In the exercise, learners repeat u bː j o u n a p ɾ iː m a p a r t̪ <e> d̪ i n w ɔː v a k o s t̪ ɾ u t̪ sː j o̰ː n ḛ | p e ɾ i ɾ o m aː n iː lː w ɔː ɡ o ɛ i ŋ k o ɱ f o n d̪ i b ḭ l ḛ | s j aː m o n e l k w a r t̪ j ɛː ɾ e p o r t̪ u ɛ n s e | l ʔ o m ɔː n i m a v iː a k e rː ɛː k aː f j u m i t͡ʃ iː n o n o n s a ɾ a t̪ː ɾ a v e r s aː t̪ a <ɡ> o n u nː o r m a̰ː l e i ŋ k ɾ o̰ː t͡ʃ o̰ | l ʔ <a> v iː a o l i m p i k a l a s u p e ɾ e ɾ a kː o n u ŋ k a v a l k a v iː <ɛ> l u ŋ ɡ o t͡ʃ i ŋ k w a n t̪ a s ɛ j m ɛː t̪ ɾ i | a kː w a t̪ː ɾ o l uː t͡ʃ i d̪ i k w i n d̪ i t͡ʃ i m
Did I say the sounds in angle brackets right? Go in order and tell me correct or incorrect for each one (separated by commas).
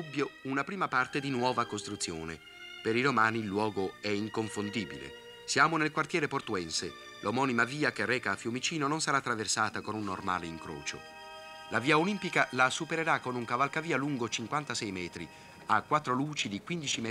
correct, incorrect, correct, incorrect